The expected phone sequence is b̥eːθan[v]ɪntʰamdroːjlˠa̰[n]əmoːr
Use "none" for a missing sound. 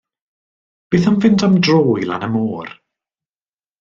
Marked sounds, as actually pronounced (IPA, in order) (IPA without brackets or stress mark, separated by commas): v, n